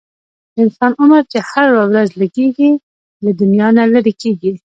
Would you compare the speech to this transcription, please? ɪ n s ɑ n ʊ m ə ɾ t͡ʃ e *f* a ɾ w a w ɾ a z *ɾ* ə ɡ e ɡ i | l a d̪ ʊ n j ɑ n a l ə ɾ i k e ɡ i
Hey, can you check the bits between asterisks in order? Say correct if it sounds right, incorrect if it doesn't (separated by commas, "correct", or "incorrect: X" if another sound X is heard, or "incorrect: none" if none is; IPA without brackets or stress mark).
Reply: incorrect: h, incorrect: l